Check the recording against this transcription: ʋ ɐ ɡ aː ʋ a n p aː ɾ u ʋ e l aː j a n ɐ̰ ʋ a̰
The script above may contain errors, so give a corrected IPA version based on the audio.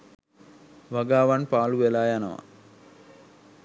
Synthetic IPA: ʋ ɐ ɡ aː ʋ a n p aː l u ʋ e l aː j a n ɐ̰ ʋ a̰